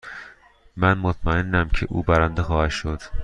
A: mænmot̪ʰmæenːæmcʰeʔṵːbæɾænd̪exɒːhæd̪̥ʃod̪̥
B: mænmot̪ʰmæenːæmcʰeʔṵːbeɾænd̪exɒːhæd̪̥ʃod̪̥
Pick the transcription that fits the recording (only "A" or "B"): A